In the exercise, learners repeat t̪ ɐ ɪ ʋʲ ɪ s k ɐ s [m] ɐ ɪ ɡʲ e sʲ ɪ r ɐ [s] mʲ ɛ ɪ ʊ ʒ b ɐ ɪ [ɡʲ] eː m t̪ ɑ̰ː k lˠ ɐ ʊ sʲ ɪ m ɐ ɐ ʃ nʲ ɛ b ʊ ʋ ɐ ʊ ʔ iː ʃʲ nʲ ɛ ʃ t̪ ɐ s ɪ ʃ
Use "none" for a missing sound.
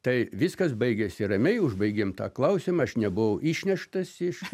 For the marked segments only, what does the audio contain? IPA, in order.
b, none, ɡʲ

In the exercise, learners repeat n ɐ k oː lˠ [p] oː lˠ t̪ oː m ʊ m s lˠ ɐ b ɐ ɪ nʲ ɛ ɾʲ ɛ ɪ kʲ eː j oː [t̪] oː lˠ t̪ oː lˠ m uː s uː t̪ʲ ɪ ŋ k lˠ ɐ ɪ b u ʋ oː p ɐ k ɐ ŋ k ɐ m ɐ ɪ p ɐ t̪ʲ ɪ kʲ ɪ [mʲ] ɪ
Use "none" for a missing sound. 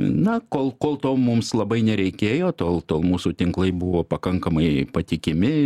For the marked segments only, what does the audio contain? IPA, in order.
k, t̪, mʲ

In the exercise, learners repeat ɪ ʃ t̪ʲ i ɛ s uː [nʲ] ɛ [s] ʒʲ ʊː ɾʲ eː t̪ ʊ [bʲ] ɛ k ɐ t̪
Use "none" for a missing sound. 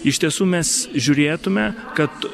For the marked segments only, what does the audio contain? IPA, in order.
mʲ, s, mʲ

